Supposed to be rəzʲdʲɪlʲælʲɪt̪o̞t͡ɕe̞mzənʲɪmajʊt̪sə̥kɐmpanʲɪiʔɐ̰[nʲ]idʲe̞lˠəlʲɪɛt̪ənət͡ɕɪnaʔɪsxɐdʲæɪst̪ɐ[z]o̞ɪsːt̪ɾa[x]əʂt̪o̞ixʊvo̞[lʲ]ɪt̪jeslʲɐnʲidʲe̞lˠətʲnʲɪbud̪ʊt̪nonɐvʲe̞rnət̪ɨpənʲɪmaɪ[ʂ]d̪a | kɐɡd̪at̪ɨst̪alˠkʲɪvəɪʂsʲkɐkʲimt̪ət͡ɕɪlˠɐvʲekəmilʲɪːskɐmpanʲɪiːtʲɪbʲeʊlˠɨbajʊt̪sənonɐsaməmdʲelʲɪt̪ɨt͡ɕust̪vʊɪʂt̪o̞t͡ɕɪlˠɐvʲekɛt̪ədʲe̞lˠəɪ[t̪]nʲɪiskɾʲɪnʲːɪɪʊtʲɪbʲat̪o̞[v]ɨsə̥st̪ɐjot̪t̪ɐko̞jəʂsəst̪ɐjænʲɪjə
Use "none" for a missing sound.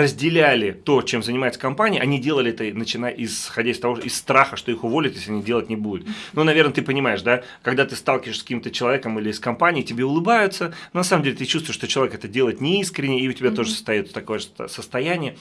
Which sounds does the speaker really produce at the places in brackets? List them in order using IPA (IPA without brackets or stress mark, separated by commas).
nʲ, v, x, lʲ, ʂ, t̪, ʐ